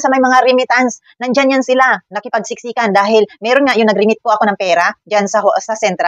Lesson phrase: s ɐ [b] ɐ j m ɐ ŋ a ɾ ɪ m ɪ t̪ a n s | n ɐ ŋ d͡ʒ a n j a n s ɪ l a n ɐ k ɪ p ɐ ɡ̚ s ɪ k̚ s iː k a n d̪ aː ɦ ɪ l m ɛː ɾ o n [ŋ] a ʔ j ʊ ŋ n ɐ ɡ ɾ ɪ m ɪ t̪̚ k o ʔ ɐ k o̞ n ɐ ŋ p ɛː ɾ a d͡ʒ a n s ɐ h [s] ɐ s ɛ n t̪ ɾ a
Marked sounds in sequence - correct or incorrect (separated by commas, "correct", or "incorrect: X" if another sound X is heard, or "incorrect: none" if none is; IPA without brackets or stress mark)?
incorrect: m, correct, correct